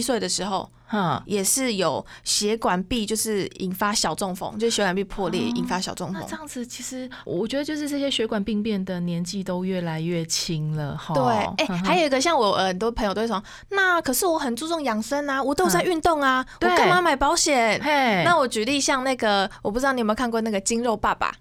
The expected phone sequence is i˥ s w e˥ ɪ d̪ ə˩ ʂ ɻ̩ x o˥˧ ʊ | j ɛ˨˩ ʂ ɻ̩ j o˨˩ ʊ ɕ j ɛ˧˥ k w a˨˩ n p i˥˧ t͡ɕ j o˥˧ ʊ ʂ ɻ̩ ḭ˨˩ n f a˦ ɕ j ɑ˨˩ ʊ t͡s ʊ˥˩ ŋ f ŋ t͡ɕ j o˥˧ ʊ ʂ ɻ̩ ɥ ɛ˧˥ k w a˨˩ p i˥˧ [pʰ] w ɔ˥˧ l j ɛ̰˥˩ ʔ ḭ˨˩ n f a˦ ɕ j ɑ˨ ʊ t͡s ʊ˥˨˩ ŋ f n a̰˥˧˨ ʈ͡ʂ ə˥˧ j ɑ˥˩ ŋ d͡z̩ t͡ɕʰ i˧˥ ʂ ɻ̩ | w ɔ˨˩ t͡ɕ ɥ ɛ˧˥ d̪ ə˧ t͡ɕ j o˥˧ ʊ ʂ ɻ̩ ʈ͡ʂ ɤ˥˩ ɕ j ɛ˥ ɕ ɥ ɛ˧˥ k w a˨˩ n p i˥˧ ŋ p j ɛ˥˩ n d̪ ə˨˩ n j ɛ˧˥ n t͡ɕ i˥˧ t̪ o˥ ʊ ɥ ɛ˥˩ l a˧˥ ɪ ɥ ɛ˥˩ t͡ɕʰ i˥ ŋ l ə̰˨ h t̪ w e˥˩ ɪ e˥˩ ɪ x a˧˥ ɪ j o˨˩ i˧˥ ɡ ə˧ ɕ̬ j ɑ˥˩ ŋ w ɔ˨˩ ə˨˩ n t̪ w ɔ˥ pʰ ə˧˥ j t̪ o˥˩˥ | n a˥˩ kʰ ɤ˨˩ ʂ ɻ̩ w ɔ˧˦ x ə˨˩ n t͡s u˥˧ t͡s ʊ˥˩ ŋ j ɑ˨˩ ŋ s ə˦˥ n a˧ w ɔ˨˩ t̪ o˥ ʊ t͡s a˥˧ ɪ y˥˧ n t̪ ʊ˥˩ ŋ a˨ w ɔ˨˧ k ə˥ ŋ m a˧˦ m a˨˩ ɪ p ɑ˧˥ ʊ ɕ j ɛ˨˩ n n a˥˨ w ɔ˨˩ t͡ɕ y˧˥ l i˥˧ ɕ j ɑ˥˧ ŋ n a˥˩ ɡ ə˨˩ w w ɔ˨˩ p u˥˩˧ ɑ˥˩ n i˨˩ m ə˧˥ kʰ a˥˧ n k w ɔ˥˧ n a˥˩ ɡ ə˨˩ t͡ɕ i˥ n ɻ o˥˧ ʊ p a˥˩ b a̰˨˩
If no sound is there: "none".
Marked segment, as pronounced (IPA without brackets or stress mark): pʰ